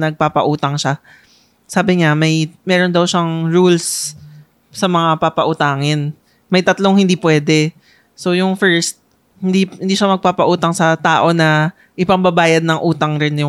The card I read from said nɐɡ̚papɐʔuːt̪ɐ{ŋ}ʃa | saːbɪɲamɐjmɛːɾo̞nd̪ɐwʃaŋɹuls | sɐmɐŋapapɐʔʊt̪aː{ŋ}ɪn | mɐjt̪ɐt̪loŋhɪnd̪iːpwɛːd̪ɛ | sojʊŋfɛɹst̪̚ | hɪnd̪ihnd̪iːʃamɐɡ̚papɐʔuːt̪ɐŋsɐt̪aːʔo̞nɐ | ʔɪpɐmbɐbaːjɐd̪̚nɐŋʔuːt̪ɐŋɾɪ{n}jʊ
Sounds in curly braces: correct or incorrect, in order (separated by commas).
correct, correct, correct